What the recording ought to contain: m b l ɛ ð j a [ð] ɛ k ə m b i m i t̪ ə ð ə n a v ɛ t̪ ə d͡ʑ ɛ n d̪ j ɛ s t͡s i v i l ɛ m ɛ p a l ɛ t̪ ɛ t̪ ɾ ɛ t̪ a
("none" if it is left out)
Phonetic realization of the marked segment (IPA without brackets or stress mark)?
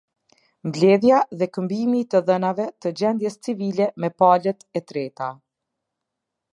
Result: ð